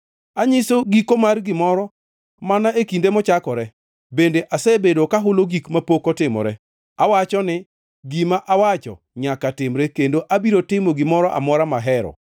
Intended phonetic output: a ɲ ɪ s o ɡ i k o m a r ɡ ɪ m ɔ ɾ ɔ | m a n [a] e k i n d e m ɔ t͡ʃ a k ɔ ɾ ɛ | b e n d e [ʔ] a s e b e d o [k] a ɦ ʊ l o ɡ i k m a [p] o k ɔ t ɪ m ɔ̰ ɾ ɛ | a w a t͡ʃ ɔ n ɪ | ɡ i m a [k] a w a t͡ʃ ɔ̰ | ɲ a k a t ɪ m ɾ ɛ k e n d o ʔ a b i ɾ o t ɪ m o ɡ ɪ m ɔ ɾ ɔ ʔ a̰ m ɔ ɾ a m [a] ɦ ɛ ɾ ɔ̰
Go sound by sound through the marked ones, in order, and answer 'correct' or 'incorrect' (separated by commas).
correct, correct, correct, correct, incorrect, correct